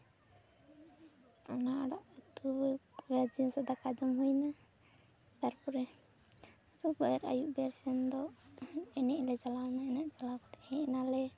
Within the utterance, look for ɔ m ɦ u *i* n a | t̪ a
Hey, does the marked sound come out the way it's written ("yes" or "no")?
no